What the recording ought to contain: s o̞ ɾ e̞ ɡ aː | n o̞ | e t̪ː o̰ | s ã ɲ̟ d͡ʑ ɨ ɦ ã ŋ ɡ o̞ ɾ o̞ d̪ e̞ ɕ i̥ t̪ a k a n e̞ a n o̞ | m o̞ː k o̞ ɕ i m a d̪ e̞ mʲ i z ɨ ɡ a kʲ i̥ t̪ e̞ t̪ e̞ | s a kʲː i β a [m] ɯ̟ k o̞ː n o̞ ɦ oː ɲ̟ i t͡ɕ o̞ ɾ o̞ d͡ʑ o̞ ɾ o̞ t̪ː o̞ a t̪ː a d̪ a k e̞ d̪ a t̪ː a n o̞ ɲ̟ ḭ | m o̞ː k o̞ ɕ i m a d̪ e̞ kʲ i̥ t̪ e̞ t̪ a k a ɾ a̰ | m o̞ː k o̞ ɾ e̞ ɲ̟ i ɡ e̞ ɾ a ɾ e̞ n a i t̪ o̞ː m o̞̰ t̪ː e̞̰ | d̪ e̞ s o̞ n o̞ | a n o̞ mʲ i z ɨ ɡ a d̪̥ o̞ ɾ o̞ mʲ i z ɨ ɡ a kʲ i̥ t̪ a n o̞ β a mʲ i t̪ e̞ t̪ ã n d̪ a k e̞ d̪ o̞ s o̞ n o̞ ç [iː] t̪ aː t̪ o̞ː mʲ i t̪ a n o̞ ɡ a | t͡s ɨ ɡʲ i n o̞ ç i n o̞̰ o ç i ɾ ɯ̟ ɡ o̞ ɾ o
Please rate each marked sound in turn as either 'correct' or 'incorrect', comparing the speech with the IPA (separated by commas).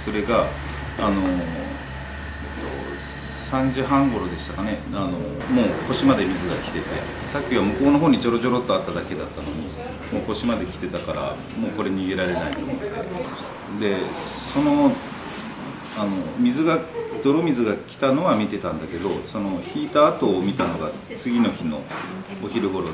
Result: correct, correct